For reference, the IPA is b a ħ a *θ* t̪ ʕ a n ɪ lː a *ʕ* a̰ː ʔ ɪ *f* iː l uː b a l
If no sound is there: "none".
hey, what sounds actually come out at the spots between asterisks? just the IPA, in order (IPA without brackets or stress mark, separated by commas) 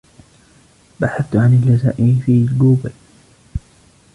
θ, z, f